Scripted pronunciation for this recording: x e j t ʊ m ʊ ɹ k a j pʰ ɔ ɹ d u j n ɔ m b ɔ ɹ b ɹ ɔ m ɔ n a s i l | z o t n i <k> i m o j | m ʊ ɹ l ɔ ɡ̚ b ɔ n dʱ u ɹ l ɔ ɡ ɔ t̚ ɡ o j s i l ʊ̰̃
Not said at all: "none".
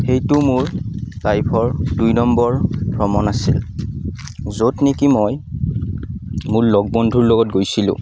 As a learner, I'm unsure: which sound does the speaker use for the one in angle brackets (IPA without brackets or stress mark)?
k